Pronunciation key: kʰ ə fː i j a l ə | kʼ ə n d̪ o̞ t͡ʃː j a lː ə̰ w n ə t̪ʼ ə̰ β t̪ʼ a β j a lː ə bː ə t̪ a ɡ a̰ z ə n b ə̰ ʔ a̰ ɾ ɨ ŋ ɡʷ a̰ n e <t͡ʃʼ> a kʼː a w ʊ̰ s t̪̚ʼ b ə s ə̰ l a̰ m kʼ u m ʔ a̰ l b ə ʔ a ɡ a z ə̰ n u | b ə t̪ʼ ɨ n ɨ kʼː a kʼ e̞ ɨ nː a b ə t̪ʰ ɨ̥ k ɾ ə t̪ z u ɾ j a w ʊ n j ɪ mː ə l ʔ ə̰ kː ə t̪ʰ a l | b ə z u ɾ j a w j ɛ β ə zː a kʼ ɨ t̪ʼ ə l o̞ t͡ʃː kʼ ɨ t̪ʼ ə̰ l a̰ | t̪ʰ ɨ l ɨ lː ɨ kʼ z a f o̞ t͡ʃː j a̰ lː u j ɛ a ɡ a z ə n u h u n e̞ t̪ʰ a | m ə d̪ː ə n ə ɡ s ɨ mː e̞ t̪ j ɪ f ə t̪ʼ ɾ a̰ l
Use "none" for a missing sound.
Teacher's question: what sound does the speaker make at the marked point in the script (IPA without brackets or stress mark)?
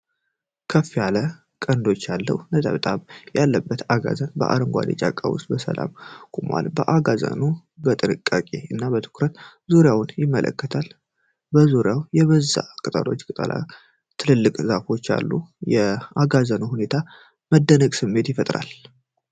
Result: t͡ʃʼ